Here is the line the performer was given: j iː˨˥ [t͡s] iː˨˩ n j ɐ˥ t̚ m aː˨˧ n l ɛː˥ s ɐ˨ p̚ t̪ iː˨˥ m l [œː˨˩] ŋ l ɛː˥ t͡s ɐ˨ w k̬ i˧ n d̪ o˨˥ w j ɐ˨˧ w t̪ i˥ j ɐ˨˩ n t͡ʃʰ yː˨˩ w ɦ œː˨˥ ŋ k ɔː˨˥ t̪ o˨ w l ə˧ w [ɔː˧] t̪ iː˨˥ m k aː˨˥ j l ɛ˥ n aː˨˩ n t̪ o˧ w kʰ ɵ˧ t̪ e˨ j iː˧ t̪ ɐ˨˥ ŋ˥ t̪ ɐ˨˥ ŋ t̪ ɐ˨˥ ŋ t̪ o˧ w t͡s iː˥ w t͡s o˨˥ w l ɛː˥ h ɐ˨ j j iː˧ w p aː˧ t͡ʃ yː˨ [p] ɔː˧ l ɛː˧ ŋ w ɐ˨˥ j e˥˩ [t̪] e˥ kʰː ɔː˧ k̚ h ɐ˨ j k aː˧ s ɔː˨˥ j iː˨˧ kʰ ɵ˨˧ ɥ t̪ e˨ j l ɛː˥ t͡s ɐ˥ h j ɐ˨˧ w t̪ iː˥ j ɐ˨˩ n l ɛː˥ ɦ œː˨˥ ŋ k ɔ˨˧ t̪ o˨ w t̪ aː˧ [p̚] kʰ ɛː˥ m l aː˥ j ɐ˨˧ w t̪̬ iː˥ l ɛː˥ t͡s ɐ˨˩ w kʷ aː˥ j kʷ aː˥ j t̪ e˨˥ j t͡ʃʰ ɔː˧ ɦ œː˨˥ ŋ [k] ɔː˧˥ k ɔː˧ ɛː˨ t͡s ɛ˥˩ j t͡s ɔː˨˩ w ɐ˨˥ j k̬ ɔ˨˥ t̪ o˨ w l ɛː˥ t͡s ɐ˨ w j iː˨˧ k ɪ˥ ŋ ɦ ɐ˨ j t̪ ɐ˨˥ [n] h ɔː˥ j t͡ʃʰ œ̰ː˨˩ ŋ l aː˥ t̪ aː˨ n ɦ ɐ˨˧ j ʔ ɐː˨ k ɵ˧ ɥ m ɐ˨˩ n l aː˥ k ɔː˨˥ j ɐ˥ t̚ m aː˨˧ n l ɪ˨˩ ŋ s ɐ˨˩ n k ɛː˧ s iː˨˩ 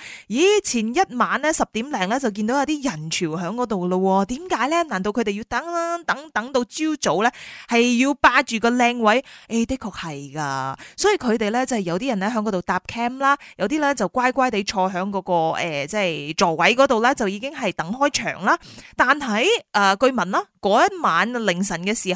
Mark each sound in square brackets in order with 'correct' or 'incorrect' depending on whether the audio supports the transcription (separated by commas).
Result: incorrect, incorrect, correct, incorrect, correct, correct, correct, incorrect